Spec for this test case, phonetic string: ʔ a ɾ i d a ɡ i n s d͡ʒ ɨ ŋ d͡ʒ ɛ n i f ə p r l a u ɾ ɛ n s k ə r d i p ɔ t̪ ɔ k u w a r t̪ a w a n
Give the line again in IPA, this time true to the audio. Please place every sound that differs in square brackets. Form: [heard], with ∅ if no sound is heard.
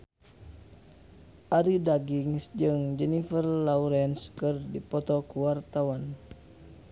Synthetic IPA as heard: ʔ a ɾ i d a ɡ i [ŋ] s d͡ʒ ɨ ŋ d͡ʒ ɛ n i f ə [∅] r l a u ɾ ɛ n s k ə r d i p ɔ t̪ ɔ k u w a r t̪ a w a n